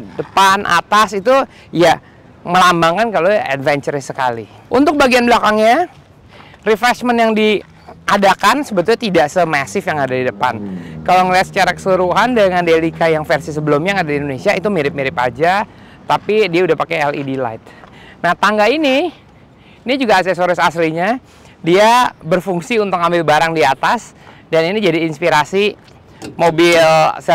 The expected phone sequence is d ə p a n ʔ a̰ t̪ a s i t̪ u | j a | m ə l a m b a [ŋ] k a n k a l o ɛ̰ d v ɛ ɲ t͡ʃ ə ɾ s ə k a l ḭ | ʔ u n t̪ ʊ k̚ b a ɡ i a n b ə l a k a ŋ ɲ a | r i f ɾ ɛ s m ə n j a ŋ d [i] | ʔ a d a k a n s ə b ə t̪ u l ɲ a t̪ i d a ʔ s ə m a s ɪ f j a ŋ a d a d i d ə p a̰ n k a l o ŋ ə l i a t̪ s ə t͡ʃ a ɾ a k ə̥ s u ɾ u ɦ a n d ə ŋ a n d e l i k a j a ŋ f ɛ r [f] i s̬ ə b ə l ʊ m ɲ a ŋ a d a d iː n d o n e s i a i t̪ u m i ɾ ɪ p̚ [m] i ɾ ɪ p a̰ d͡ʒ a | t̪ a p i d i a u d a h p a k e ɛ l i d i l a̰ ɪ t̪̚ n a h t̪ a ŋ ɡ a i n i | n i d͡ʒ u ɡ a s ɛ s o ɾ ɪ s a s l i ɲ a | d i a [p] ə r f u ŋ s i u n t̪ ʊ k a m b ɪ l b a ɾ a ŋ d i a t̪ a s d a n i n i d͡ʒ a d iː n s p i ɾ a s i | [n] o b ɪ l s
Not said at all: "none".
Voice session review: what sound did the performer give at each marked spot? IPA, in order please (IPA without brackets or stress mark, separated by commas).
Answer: ŋ, i, s, m, b, m